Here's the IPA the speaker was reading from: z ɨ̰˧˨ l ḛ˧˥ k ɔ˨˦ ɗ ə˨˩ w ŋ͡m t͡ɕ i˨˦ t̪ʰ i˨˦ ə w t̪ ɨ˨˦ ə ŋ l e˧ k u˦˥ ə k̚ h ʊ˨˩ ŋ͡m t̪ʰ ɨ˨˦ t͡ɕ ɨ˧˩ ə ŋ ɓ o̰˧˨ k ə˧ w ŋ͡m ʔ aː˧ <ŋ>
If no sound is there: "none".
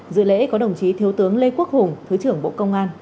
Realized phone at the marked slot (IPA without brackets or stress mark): n